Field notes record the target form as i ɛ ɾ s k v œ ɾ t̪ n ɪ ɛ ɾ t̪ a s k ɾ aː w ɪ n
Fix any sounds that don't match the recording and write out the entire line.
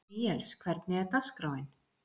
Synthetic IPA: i ɛ l s kʰ v ɛ ɾ t̪ n ɪ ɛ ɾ t̪ a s k ɾ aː w ɪ n